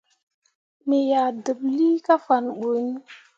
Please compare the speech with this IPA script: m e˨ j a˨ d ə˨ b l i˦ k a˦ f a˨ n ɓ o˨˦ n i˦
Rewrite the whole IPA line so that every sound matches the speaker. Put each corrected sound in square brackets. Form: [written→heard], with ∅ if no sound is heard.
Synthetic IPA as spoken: m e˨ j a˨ d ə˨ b l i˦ k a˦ f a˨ n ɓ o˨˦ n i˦